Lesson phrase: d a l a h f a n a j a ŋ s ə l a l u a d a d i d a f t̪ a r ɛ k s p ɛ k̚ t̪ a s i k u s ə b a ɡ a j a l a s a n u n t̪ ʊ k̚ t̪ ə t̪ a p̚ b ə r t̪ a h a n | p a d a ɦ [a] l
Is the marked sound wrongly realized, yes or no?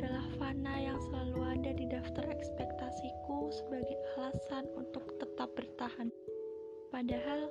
no